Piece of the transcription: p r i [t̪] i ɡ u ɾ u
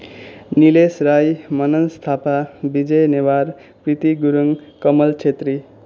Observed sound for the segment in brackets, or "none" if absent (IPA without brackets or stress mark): t̪